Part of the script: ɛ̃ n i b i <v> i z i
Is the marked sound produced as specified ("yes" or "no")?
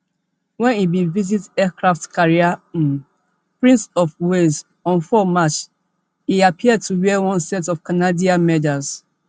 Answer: yes